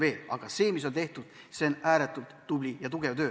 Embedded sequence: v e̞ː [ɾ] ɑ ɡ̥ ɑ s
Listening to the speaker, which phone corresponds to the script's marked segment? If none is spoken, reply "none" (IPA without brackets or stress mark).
l